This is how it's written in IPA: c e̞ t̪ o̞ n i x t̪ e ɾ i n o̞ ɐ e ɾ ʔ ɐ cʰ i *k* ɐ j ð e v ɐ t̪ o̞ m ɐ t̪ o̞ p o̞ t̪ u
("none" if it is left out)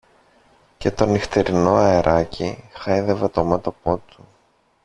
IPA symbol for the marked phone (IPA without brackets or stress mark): x